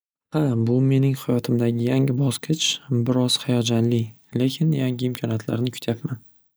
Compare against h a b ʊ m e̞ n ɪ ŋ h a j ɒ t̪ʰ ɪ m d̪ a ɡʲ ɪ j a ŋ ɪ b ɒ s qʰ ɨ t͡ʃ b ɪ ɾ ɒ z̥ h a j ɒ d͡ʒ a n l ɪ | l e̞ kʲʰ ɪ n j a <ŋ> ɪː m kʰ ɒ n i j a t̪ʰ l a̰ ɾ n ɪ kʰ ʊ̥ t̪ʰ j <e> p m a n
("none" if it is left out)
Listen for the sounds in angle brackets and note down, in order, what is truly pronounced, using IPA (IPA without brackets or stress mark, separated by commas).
ŋ, a